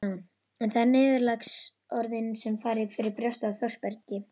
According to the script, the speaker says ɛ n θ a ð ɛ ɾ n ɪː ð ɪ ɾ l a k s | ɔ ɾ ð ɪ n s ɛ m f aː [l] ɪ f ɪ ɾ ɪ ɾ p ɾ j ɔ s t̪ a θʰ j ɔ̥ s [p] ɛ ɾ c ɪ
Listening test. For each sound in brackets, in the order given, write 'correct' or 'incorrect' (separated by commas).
incorrect, correct